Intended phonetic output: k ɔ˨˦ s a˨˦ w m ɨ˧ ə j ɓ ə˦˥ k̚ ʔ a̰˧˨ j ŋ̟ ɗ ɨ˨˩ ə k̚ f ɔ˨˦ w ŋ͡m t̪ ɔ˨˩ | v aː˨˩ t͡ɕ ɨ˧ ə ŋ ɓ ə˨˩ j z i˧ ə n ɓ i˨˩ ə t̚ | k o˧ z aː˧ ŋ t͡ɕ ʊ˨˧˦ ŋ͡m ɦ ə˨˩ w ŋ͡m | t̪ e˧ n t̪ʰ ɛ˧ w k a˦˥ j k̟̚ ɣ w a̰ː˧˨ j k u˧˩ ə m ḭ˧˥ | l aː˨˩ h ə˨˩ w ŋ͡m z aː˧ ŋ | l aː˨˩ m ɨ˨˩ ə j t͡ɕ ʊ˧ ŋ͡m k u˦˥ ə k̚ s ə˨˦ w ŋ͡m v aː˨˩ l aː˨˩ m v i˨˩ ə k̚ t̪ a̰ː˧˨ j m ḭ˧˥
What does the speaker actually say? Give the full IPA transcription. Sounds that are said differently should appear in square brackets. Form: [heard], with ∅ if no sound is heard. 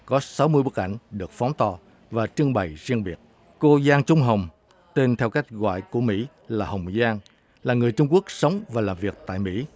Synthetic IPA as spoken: k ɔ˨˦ s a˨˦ w m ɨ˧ ə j ɓ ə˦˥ k̚ ʔ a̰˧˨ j ŋ̟ ɗ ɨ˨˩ ə k̚ f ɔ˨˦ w ŋ͡m t̪ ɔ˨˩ | v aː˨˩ t͡ɕ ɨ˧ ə ŋ ɓ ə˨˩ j z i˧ ə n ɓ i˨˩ ə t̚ | k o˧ z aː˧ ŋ t͡ɕ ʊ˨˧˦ ŋ͡m ɦ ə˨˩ w ŋ͡m | t̪ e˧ n t̪ʰ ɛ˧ w k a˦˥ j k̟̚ ɣ w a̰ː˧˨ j k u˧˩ ə m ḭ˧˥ | l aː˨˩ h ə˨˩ w ŋ͡m z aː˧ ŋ | l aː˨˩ [ŋ] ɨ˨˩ ə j t͡ɕ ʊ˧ ŋ͡m k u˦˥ ə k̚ s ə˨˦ w ŋ͡m v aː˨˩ l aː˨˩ m v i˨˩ ə k̚ t̪ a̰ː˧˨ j m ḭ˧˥